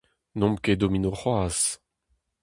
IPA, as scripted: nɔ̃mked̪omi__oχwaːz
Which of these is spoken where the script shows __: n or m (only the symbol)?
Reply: n